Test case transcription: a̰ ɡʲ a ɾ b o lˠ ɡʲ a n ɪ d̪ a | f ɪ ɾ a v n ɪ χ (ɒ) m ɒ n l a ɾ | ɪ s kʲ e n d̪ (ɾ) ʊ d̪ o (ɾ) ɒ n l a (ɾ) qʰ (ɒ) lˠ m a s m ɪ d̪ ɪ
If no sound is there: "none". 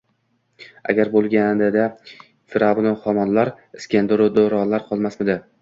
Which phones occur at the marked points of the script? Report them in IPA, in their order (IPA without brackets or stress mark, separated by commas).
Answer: ɒ, ɾ, ɾ, ɾ, ɒ